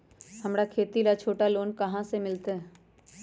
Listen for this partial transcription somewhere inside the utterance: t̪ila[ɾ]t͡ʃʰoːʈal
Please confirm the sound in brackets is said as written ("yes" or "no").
no